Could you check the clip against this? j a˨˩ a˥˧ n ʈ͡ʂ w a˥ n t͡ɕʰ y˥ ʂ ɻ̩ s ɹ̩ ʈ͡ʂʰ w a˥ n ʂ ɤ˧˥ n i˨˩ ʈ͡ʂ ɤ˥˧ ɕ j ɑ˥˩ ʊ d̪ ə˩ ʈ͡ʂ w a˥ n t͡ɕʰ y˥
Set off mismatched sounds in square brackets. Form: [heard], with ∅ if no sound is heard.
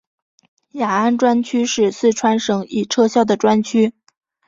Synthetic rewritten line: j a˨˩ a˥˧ n ʈ͡ʂ w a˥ n t͡ɕʰ y˥ ʂ ɻ̩ s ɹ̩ ʈ͡ʂʰ w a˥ n ʂ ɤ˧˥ [ŋ] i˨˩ [ʈ͡ʂʰ] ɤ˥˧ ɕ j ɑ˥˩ ʊ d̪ ə˩ ʈ͡ʂ w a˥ n t͡ɕʰ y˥